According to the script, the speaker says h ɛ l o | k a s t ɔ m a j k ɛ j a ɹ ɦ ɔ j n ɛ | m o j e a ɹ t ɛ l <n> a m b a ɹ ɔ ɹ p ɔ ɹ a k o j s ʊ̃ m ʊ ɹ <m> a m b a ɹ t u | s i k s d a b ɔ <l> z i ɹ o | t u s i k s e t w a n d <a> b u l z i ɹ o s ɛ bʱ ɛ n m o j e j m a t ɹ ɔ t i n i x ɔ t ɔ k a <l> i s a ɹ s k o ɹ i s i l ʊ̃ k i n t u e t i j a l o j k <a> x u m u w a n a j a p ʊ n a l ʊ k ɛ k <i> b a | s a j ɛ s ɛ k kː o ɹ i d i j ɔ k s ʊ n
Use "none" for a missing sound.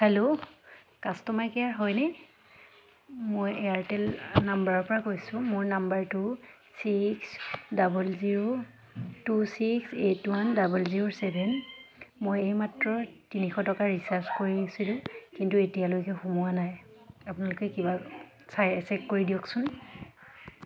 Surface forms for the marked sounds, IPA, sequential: n, n, l, a, ɹ, ɛ, i

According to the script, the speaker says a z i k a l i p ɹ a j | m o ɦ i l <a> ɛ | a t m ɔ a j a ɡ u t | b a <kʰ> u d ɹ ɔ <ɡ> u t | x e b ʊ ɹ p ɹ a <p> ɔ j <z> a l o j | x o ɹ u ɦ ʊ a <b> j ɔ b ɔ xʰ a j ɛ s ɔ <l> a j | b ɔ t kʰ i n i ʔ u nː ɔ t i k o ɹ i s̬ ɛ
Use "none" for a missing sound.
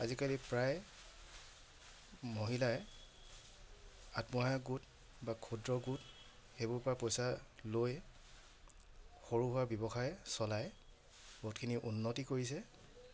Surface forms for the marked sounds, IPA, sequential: a, kʰ, ɡ, p, s, b, l

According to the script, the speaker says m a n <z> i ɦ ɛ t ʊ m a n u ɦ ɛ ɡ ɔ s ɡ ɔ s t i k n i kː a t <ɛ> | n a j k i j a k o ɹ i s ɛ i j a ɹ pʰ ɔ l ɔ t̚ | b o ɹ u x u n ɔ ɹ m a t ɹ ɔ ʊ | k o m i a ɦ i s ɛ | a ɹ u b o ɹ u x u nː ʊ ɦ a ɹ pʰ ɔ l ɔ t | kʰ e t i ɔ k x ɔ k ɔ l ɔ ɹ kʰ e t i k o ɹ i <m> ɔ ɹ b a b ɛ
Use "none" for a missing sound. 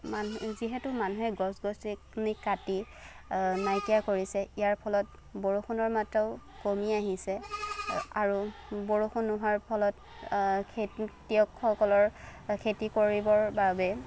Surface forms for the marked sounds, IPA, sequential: z, i, b

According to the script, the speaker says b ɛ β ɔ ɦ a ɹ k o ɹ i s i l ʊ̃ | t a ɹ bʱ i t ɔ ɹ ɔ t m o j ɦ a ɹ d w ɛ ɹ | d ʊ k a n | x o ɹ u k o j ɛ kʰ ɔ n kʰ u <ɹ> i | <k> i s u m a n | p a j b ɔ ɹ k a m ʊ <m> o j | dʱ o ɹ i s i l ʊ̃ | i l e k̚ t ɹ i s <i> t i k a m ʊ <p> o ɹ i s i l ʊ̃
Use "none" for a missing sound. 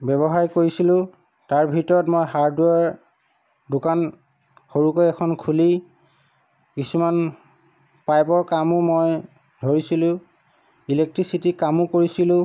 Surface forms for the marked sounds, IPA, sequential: l, k, m, i, k

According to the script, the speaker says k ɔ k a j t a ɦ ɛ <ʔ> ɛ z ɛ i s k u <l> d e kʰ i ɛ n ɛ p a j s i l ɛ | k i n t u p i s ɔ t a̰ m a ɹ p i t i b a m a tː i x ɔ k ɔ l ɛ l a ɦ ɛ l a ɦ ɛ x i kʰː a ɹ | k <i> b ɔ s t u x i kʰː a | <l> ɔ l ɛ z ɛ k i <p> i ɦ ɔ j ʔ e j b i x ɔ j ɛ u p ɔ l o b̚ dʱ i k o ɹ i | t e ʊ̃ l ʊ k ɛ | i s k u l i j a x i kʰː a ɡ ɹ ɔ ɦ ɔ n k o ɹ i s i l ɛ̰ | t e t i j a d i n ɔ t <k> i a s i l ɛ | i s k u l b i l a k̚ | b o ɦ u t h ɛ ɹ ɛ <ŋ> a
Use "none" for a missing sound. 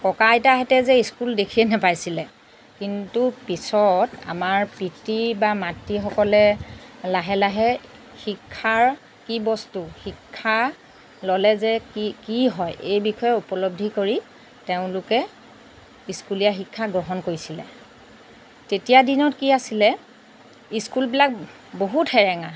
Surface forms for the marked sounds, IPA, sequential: t, l, i, l, k, k, ŋ

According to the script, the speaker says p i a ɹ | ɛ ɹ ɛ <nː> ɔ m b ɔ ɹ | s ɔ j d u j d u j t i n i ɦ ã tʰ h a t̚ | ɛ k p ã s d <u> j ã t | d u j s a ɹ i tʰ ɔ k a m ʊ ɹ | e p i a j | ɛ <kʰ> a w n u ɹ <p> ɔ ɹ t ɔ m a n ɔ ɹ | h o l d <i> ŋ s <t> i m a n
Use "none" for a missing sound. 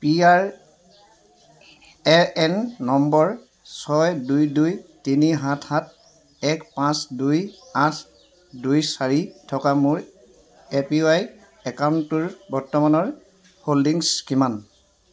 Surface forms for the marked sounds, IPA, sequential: nː, u, k, b, i, k

